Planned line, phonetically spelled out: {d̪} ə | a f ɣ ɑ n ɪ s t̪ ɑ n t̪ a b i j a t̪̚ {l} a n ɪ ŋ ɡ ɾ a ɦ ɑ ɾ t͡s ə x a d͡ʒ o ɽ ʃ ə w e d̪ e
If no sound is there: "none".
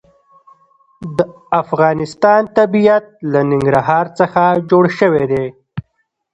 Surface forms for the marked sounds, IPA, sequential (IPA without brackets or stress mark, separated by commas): d̪, l